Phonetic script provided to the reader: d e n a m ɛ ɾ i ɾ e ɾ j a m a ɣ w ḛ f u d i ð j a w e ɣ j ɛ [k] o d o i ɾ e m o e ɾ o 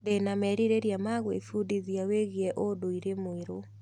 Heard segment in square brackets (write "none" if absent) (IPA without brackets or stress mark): ʔ